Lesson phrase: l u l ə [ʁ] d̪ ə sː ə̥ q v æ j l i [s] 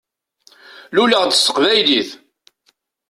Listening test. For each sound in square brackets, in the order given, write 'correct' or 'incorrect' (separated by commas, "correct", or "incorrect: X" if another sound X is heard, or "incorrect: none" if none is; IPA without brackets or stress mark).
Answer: correct, incorrect: θ